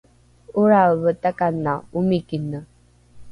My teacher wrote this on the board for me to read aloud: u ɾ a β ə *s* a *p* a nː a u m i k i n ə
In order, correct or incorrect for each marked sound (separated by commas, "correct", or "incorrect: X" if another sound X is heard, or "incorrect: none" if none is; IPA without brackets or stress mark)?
incorrect: t, incorrect: k